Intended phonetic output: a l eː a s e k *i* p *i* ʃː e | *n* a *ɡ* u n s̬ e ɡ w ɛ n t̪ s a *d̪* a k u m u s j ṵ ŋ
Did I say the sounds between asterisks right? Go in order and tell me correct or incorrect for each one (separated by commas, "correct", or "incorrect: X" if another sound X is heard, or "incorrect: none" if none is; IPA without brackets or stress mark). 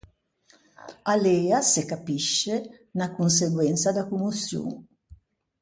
incorrect: a, correct, correct, incorrect: k, correct